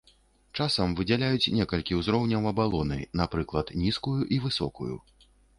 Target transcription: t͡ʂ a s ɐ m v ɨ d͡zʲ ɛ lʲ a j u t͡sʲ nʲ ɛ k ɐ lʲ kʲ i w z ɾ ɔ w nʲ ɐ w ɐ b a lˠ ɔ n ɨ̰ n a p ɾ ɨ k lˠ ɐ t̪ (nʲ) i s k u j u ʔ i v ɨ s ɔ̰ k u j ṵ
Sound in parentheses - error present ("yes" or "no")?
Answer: no